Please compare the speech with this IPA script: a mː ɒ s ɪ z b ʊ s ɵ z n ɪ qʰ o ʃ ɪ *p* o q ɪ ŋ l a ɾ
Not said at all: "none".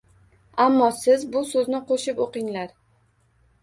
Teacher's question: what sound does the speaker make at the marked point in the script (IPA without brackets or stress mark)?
p